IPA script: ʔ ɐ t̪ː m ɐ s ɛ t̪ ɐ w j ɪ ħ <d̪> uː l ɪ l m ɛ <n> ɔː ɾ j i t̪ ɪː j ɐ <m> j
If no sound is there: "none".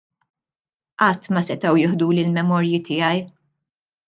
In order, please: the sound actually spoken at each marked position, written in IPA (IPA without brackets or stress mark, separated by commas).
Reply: d̪, m, none